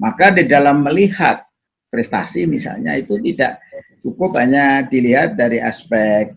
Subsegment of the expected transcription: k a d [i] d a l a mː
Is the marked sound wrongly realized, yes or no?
no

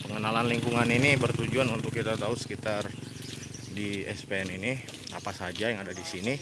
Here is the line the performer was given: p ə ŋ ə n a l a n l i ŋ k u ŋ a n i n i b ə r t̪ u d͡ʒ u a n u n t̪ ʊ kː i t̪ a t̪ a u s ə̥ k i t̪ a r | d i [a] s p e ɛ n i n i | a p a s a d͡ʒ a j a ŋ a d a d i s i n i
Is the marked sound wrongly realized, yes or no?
yes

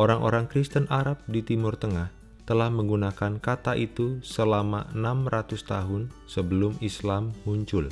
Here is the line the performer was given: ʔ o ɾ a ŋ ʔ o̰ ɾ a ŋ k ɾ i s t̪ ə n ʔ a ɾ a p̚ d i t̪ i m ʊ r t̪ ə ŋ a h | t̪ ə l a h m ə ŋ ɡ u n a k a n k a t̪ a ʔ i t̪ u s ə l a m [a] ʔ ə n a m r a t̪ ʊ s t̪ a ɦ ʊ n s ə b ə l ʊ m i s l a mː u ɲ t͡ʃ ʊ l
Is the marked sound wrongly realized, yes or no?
no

